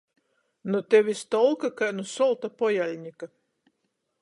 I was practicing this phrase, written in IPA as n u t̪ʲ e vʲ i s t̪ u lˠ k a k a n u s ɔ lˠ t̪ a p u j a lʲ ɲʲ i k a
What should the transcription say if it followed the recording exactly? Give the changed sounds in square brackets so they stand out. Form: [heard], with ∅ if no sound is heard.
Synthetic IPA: n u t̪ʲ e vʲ i s t̪ [ɔ] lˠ k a k a n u s ɔ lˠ t̪ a p [ɔ] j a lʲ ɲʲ i k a